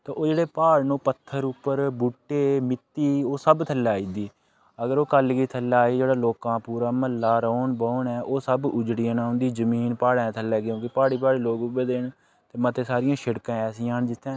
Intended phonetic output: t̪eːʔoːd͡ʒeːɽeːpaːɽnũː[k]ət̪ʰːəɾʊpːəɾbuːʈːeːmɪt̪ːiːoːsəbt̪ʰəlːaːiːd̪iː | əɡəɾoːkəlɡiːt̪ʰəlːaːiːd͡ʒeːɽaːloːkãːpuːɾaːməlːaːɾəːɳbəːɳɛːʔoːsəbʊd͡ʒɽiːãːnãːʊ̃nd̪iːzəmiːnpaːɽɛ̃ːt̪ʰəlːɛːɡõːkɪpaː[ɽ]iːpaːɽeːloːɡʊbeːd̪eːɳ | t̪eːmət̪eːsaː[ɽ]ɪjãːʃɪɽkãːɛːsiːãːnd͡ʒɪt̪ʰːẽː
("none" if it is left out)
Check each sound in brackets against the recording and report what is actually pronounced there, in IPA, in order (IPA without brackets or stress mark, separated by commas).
p, ɽ, ɾ